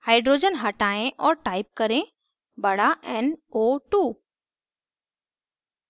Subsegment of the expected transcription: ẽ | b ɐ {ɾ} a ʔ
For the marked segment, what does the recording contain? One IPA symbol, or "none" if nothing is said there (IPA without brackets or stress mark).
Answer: ɽ